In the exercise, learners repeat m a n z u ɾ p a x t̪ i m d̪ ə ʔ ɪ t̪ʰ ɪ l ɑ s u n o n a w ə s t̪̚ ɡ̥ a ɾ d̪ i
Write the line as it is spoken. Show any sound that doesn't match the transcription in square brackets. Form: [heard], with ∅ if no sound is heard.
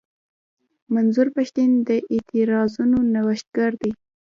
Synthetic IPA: m a n z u ɾ p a [ʃ] t̪ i [n] d̪ ə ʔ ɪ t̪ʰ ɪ [ɾ] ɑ [z] u n o n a w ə [ʃ] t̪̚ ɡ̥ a ɾ d̪ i